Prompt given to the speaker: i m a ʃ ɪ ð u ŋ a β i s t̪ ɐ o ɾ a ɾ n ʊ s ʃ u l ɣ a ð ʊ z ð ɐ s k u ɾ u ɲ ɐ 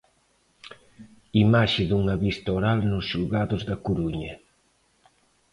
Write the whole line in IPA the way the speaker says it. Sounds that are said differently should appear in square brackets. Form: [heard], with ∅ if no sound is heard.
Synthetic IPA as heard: i m a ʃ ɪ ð u ŋ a β i s t̪ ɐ o ɾ a [l] n ʊ s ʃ u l ɣ a ð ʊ z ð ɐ [∅] k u ɾ u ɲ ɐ

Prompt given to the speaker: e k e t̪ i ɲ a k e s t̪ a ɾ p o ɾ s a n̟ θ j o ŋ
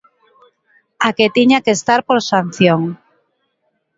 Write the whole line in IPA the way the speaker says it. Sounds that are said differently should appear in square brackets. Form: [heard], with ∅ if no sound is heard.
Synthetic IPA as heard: [a] k e t̪ i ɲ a k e s t̪ a ɾ p o ɾ s a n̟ θ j o ŋ

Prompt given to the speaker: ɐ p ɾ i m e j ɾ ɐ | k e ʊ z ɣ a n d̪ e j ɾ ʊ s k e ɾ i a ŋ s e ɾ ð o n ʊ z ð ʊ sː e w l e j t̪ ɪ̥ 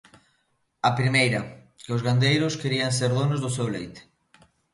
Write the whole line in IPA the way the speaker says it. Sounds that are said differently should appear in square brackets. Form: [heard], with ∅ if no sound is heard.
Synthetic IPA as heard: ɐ p ɾ i m e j ɾ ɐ | k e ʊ z ɣ a n d̪ e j ɾ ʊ s k e ɾ i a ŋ s e ɾ ð o n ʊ z ð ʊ [s] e w l e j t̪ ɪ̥

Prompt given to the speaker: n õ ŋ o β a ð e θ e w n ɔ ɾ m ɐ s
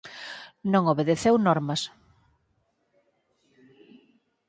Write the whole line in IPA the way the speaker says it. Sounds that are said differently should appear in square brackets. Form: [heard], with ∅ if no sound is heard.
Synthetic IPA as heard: n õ ŋ o β [e] ð e θ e w n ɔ ɾ m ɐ s

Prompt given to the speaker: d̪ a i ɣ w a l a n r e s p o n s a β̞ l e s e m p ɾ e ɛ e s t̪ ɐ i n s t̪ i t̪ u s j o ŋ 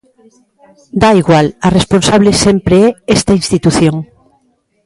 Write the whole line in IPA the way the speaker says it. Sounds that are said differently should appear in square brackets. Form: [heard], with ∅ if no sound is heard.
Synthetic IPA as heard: d̪ a i ɣ w a l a [∅] r e s p o n s a β̞ l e s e m p ɾ e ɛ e s t̪ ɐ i n s t̪ i t̪ u [θ] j o ŋ

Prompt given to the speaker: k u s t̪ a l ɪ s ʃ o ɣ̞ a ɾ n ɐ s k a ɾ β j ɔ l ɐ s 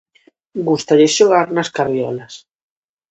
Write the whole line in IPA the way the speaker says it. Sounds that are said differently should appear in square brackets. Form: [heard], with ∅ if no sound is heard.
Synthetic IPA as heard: [ɡ] u s t̪ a [ʎ] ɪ s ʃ o ɣ̞ a ɾ n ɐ s k a ɾ β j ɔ l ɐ s

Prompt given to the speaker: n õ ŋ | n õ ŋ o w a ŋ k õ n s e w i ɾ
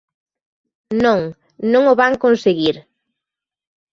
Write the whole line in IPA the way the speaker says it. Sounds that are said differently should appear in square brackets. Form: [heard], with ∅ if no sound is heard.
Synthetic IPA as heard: n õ ŋ | n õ ŋ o [β] a ŋ k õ n s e [ɣ] i ɾ

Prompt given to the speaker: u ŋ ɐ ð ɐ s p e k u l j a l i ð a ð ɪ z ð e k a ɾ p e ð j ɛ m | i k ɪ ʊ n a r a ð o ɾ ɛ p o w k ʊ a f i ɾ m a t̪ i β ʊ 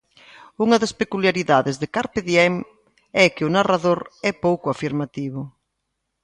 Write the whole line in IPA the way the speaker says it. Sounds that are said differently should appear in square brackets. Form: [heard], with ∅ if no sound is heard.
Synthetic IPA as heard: u ŋ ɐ ð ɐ s p e k u l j a [ɾ] i ð a ð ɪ z ð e k a ɾ p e ð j ɛ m | [ɛ] k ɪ ʊ n a r a ð o ɾ ɛ p o w k ʊ a f i ɾ m a t̪ i β ʊ

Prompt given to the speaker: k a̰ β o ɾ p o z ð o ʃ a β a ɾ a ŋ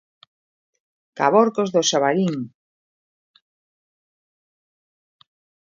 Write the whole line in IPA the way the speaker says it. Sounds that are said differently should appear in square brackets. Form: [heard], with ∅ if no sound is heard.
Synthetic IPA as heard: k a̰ β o ɾ [k] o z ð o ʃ a β a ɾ [i] ŋ

